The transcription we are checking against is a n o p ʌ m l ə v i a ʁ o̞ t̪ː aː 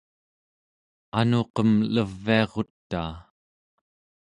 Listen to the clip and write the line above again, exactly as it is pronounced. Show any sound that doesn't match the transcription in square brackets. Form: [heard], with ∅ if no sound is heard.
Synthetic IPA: a n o [q] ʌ m l ə [vː] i [ɑ] ʁ o̞ t̪ː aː